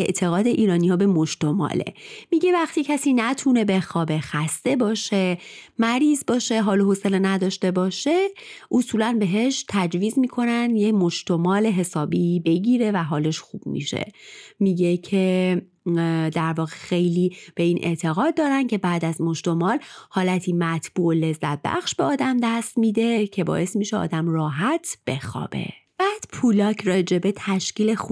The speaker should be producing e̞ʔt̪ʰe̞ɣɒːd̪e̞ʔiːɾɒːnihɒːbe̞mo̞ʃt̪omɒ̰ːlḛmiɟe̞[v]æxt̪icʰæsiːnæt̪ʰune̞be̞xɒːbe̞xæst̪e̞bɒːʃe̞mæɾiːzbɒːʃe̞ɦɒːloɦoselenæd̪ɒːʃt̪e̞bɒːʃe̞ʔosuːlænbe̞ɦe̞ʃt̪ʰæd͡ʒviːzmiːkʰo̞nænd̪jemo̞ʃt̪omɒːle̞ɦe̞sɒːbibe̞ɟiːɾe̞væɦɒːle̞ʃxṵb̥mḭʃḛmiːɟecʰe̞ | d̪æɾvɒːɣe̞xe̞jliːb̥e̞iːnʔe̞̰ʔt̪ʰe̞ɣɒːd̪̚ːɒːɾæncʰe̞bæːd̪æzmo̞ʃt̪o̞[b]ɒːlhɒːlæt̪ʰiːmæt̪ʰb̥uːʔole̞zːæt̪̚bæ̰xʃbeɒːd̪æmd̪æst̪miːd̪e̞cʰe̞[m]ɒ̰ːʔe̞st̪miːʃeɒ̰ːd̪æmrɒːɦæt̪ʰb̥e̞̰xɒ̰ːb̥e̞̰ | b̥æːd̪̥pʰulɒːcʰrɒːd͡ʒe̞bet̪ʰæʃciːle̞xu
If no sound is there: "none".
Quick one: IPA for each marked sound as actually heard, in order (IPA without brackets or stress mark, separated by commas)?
v, m, b